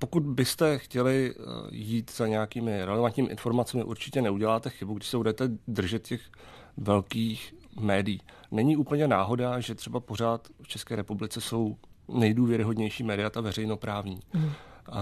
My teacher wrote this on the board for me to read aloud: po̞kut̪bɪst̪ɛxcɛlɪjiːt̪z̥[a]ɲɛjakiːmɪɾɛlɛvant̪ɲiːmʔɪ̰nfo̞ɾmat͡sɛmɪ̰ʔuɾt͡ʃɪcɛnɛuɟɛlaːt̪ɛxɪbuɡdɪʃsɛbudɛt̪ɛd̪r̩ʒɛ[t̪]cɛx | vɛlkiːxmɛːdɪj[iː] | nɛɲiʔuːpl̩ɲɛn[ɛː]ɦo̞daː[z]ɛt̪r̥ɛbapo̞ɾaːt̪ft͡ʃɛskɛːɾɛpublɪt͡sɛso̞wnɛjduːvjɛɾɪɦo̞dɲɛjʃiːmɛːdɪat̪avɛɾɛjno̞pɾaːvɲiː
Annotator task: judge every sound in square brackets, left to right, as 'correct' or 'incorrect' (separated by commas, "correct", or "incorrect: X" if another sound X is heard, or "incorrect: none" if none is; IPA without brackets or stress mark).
correct, correct, correct, incorrect: aː, incorrect: ʒ